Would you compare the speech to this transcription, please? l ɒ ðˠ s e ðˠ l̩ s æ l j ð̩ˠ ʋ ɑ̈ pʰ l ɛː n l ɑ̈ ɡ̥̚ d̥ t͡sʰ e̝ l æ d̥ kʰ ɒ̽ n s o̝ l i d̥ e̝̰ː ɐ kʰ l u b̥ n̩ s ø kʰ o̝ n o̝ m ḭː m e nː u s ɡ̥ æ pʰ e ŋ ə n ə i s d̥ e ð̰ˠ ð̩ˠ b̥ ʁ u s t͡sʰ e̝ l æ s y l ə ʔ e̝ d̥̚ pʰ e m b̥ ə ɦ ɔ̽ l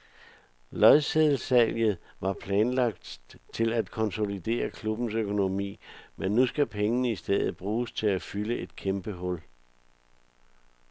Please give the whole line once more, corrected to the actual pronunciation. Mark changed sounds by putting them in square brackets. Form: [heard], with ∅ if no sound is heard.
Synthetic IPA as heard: l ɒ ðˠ s e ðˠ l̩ s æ l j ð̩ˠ ʋ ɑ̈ pʰ l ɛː n l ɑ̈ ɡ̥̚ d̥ t͡sʰ e̝ l æ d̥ kʰ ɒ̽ n s o̝ l i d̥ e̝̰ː ɐ kʰ l u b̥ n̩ s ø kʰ o̝ n o̝ m ḭː m e nː u s ɡ̥ æ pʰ e ŋ ə n ə i s d̥ e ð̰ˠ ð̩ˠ b̥ ʁ [uː] s t͡sʰ e̝ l æ [f] y l ə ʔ e̝ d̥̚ [kʰ] e m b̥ ə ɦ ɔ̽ l